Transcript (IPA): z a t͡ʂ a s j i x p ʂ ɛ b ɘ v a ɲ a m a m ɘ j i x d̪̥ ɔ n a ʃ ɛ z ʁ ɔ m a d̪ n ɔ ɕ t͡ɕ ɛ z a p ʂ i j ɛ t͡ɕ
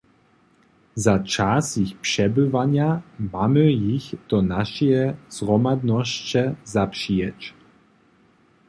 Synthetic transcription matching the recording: z a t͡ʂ a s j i x p ʂ ɛ b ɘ v a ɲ a m a m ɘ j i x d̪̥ ɔ n a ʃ ɛ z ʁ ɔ m a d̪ n ɔ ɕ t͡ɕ ɛ z a p ʂ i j ɛ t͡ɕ